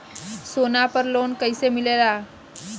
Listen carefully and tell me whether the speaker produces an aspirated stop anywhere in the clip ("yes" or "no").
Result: no